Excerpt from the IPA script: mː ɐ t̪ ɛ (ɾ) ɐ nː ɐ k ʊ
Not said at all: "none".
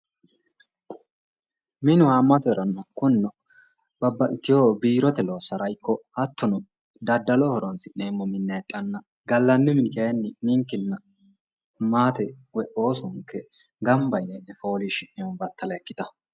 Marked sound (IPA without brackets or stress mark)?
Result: ɾ